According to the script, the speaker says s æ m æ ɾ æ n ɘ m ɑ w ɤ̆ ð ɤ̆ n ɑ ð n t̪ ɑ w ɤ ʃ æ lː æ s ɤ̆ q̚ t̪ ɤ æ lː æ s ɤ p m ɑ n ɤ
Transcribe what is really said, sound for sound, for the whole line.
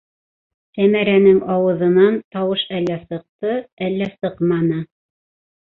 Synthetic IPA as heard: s æ m æ ɾ æ n ɘ ŋ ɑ w ɤ̆ ð ɤ̆ n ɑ n t̪ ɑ w ɤ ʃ æ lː æ s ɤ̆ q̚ t̪ ɤ æ lː æ s ɤ q m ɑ n ɤ